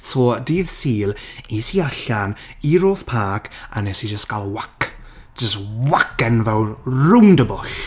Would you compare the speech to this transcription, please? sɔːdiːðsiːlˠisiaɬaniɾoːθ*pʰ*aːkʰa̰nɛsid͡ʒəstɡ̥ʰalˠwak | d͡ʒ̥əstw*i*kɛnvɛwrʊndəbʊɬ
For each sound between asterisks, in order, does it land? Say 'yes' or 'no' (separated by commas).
yes, no